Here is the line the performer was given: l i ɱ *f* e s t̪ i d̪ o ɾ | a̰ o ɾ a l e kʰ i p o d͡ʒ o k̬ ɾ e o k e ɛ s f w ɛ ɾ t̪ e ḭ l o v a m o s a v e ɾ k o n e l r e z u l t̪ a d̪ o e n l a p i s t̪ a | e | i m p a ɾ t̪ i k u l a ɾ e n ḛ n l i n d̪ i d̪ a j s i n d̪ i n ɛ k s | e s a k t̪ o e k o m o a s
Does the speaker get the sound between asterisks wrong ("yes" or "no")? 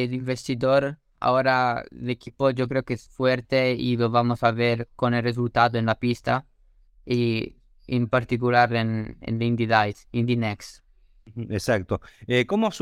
yes